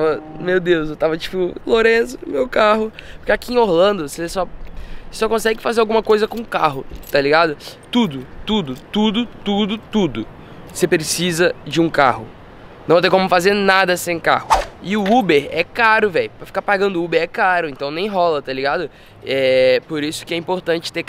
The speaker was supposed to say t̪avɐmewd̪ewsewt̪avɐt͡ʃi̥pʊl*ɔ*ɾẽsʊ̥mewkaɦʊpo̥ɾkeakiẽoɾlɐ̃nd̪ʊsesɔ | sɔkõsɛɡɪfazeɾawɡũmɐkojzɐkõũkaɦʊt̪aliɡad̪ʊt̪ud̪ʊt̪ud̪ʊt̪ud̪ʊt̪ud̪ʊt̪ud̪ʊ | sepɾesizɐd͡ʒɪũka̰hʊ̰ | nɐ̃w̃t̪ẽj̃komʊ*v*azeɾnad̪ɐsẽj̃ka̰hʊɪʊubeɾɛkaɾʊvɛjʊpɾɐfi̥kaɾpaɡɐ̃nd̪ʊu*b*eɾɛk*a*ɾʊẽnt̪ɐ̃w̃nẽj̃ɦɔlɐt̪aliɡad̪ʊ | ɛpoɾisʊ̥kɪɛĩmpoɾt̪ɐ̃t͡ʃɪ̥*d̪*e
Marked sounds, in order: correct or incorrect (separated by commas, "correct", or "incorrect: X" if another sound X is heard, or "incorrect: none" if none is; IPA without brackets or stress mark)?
incorrect: o, incorrect: f, correct, correct, incorrect: t̪